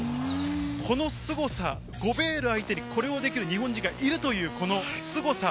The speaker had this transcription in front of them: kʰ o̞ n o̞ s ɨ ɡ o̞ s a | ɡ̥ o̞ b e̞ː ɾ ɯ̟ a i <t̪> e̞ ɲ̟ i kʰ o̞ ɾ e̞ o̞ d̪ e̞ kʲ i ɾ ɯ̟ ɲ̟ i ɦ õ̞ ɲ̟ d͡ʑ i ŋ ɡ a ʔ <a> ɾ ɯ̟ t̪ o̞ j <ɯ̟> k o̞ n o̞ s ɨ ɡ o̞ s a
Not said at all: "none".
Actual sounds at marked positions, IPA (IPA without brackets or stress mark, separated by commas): t̪, i, ɯ̟ː